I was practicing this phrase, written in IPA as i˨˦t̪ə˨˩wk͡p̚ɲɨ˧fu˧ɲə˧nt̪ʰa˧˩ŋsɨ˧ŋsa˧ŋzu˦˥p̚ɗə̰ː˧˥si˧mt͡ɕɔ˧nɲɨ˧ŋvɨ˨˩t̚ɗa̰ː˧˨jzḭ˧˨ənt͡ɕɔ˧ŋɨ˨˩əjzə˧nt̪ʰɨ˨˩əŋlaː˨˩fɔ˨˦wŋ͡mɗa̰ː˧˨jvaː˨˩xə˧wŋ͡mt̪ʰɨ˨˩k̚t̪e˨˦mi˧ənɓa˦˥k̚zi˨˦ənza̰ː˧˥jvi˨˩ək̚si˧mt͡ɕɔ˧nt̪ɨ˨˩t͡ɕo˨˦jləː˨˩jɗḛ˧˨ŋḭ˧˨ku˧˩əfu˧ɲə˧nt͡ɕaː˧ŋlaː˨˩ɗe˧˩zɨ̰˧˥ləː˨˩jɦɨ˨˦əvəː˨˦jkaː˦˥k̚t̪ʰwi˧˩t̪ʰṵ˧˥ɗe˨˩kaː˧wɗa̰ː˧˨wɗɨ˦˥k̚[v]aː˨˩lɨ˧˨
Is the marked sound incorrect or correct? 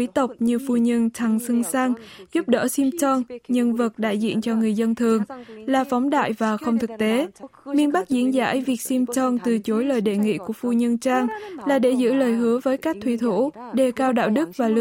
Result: correct